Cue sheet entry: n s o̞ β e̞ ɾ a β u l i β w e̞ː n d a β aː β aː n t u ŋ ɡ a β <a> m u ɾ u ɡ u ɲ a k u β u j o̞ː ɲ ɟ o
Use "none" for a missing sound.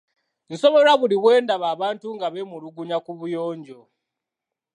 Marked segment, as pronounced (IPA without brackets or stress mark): e